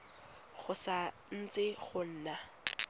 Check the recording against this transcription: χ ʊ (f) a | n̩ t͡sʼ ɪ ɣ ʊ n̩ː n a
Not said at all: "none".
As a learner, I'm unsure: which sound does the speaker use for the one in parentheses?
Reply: s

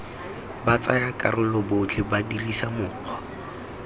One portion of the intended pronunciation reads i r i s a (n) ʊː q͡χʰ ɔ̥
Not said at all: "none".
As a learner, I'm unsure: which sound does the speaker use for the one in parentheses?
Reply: m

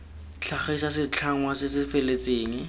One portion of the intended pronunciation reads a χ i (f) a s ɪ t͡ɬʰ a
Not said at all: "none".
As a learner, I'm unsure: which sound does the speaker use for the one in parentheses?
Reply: s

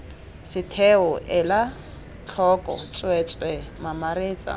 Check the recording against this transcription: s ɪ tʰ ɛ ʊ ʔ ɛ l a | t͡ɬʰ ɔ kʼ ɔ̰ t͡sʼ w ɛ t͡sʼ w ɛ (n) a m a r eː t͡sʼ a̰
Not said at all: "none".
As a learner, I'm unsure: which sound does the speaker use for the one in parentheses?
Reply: m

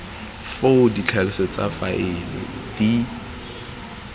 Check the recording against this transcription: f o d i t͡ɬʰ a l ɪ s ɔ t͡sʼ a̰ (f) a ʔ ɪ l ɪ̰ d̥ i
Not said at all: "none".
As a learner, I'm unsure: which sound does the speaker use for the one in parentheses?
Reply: f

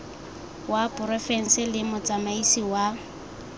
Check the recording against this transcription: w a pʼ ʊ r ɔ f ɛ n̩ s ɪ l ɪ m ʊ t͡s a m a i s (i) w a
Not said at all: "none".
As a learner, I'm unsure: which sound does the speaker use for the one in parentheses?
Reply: i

